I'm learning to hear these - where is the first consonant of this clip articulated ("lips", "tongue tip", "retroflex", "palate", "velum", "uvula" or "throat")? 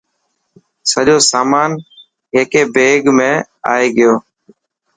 tongue tip